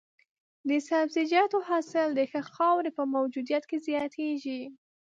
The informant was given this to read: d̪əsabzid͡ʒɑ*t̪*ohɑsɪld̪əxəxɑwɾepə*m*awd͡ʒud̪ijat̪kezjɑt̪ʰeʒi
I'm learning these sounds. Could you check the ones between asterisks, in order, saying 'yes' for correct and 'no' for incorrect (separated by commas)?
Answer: yes, yes